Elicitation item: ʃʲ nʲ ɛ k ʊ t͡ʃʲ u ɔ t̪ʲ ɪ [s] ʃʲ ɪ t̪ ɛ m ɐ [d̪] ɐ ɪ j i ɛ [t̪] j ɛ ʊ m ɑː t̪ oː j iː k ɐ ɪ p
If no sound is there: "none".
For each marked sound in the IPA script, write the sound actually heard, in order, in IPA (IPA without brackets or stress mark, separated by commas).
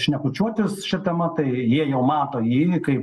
s, t̪, none